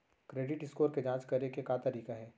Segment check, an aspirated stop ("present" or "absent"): absent